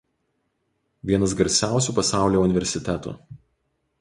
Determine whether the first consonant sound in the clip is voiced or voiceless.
voiced